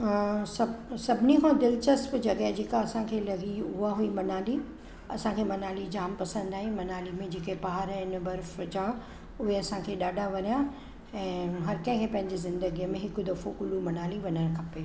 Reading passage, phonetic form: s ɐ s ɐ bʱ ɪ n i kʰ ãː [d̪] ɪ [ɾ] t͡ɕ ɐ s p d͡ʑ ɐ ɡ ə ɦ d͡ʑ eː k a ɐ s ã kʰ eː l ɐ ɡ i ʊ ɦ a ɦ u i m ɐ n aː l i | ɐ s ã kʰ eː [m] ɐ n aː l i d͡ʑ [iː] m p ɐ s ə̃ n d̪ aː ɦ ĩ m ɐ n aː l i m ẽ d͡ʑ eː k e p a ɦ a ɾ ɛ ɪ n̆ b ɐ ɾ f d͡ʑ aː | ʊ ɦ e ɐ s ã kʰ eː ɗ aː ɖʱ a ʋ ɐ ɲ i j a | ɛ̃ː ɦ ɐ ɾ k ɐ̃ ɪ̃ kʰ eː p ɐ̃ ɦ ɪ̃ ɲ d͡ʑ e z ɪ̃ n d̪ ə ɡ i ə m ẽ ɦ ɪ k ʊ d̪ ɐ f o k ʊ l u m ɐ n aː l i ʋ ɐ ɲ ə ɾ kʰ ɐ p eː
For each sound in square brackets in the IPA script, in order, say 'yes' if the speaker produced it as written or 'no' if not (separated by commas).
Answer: yes, no, yes, no